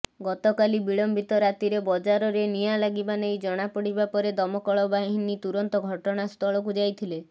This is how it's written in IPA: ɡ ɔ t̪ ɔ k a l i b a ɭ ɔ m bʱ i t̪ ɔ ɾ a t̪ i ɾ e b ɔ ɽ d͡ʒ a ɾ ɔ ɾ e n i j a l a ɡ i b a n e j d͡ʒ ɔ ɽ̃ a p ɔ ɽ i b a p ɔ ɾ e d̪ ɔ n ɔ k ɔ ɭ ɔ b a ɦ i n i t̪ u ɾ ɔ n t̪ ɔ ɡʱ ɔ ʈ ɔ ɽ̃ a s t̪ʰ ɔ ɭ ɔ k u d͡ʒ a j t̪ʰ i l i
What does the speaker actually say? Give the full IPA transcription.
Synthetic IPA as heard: ɡ ɔ t̪ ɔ k a l i b i ɭ ɔ m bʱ i t̪ ɔ ɾ a t̪ i ɾ e b ɔ d͡ʒ a ɾ ɔ ɾ e n i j a l a ɡ i b a n e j d͡ʒ ɔ ɽ̃ a p ɔ ɽ i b a p ɔ ɾ e d̪ ɔ m ɔ k ɔ ɭ ɔ b a ɦ i n i t̪ u ɾ ɔ n t̪ ɔ ɡʱ ɔ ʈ ɔ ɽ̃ a s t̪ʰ ɔ ɭ ɔ k u d͡ʒ a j t̪ʰ i l e